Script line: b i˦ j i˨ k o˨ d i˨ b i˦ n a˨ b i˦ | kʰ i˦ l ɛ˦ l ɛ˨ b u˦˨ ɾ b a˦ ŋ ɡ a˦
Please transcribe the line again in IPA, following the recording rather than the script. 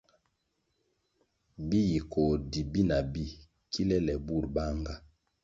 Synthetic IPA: b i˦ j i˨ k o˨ d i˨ b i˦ n a˨ b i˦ | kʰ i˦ l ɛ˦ l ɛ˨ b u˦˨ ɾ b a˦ ŋ ɡ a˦